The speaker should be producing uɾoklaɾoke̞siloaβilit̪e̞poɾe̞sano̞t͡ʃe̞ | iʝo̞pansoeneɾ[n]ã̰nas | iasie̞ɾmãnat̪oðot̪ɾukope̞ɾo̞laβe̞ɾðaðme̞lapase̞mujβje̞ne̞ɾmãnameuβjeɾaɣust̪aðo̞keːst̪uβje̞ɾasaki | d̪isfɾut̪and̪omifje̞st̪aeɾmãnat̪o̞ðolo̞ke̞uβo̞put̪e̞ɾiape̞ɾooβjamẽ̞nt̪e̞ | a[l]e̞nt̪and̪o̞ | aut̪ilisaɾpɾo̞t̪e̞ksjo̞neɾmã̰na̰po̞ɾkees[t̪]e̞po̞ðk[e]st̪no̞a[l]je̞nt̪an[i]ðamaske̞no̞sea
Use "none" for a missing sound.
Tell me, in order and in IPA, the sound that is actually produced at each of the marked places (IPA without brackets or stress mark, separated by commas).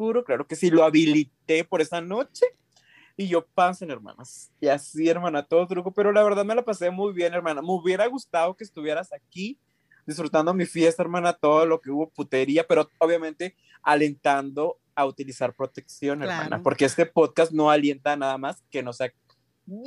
m, l, t̪, a, l, a